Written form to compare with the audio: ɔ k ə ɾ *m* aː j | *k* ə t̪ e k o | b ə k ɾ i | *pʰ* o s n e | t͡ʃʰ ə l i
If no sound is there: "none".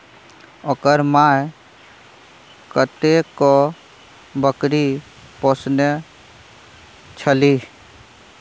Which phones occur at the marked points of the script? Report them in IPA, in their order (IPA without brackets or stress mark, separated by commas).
m, k, p